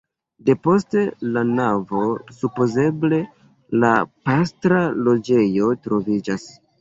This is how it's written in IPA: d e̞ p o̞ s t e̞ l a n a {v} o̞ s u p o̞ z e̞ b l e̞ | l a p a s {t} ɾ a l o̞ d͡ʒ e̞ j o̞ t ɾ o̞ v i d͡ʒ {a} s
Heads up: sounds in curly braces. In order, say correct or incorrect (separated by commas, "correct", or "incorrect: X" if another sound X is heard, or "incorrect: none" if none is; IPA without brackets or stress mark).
correct, correct, correct